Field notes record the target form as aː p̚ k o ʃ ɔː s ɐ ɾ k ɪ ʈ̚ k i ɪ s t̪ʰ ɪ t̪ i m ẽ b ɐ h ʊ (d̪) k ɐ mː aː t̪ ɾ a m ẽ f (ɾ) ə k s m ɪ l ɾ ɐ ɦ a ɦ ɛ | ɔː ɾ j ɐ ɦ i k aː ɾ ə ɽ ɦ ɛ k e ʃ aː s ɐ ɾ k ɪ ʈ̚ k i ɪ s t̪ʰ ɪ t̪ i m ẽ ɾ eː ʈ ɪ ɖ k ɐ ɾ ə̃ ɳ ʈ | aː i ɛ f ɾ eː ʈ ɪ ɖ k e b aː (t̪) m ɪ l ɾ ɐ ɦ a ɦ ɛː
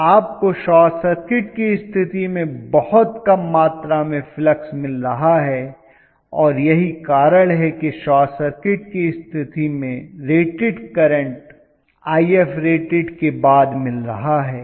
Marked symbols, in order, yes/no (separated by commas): no, no, no